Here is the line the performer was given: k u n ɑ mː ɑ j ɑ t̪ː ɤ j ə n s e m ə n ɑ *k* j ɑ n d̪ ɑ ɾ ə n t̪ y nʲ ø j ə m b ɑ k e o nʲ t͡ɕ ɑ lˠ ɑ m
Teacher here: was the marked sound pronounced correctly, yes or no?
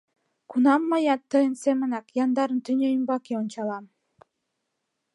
yes